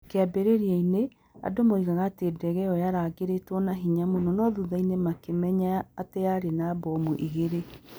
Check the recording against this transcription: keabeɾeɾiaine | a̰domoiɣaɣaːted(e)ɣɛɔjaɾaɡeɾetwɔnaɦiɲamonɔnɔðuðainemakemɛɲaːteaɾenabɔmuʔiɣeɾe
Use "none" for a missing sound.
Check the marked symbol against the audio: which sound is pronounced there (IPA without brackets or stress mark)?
ɛ